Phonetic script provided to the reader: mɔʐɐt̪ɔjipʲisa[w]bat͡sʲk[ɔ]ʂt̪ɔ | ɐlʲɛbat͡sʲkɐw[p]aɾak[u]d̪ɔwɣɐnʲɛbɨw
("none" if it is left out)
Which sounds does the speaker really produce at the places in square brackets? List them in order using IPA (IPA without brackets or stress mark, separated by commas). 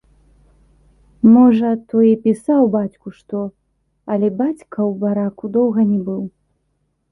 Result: w, u, b, u